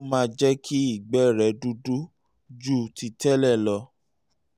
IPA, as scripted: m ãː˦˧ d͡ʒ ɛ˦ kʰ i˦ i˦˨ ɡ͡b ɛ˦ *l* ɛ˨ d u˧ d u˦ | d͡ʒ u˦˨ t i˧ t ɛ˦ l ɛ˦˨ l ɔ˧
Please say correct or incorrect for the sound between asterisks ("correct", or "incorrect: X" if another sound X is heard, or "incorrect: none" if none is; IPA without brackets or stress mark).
incorrect: ɾ